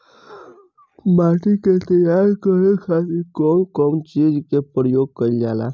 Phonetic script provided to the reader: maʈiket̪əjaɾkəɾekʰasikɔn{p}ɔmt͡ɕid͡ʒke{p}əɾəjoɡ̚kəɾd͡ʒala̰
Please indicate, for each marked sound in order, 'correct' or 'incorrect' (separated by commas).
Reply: incorrect, correct